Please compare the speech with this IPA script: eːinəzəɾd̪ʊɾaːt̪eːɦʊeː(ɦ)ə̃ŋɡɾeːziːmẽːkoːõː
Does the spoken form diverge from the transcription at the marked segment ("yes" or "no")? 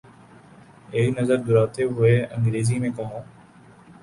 yes